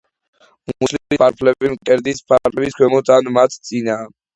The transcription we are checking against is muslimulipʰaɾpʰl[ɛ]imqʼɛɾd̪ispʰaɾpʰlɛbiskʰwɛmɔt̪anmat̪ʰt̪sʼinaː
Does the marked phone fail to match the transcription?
no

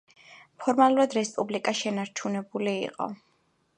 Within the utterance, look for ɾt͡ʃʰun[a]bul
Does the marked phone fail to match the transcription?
yes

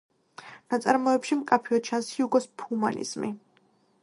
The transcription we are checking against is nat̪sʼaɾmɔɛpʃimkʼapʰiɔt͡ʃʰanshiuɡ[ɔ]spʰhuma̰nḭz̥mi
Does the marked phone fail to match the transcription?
no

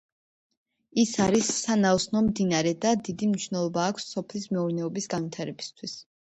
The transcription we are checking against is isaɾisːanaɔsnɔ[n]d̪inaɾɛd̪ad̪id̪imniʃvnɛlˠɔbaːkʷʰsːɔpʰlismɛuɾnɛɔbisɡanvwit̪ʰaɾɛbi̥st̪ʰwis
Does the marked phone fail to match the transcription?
yes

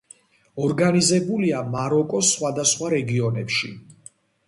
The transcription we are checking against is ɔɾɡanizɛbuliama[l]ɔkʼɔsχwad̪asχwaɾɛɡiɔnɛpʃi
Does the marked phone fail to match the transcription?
yes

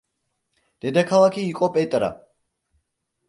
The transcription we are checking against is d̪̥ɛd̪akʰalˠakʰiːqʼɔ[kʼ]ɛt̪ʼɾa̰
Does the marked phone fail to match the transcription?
yes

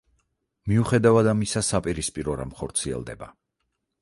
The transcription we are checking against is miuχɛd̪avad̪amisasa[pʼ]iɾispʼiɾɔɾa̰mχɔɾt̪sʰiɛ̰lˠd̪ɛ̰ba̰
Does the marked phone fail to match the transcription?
no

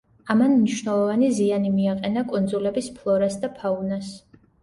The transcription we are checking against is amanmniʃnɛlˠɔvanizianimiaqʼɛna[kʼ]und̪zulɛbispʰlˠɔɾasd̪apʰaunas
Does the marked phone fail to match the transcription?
no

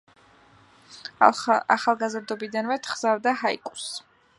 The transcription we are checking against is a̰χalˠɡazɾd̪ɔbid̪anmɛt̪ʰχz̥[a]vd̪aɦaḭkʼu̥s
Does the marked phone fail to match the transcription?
no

